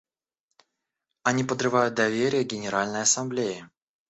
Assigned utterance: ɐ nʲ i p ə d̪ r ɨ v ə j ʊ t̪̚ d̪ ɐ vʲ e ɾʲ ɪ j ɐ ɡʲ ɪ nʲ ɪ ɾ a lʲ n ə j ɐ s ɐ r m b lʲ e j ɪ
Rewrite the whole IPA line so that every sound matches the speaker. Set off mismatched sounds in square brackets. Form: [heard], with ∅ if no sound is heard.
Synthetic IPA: ɐ nʲ i p ə d̪ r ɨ v [a] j ʊ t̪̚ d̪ ɐ vʲ e ɾʲ ɪ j [ə] ɡʲ ɪ nʲ ɪ ɾ a lʲ n ə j ɐ s ɐ [∅] m b lʲ e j ɪ